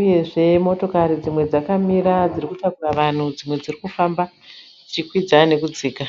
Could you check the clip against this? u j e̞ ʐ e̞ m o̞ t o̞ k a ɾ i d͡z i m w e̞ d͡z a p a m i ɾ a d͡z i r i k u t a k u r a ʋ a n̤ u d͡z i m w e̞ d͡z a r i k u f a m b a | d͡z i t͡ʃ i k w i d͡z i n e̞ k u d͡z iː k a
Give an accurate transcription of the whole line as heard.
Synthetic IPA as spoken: u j e̞ ʐ e̞ m o̞ t o̞ k a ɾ i d͡z i m w e̞ d͡z a k a m i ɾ a d͡z i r i k u t a k u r a ʋ a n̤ u d͡z i m w e̞ d͡z i r i k u f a m b a | d͡z i t͡ʃ i k w i d͡z a n e̞ k u d͡z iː k a